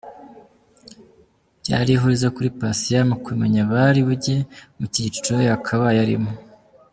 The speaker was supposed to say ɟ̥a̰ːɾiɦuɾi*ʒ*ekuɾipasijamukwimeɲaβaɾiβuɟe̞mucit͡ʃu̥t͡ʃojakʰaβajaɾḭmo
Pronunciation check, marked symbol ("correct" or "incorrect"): incorrect